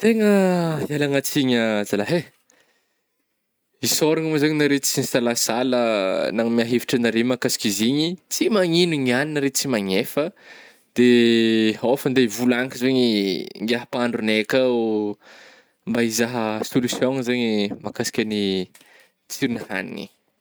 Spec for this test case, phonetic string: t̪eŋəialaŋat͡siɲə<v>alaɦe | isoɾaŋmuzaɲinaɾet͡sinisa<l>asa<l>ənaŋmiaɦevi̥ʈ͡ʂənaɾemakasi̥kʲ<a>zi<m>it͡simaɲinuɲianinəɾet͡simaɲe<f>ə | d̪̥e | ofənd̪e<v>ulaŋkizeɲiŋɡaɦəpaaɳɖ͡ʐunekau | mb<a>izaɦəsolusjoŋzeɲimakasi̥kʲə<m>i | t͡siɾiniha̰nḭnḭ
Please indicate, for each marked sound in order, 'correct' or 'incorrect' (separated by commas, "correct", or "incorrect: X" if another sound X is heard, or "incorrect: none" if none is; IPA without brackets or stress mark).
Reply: incorrect: z, correct, correct, incorrect: i, incorrect: ɲ, correct, correct, correct, incorrect: n